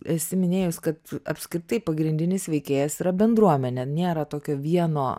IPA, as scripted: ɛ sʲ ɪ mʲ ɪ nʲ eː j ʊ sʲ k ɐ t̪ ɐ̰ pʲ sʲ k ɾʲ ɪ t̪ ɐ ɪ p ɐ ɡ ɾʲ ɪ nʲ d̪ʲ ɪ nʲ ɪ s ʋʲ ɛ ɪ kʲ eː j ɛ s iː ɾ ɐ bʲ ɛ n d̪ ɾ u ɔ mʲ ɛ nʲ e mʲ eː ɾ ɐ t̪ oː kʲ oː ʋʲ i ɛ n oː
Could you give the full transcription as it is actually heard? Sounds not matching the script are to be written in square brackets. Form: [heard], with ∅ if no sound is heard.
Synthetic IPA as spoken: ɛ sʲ ɪ mʲ ɪ nʲ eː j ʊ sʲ k ɐ t̪ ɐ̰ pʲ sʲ k ɾʲ ɪ t̪ ɐ ɪ p ɐ ɡ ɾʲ ɪ nʲ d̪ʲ ɪ nʲ ɪ s ʋʲ ɛ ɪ kʲ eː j ɛ s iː ɾ ɐ bʲ ɛ n d̪ ɾ u ɔ mʲ ɛ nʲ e [nʲ] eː ɾ ɐ t̪ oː kʲ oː ʋʲ i ɛ n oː